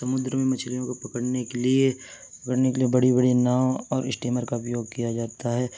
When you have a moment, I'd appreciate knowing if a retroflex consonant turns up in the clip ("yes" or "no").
yes